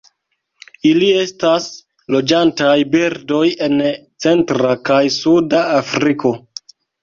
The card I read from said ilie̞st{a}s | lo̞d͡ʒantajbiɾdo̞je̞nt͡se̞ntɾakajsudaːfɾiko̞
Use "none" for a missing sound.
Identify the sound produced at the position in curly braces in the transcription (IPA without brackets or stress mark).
a